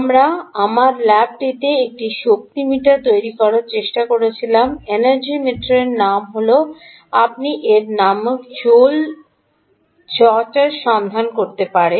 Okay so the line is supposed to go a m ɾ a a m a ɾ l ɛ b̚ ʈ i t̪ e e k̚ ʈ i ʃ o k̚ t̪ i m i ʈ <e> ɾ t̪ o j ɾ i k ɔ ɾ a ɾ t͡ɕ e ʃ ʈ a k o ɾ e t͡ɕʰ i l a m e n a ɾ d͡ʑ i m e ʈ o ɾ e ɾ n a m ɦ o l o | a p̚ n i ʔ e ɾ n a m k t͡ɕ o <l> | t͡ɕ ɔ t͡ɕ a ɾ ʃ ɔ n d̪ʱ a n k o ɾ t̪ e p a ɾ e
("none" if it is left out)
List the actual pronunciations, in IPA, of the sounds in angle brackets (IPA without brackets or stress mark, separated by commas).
a, l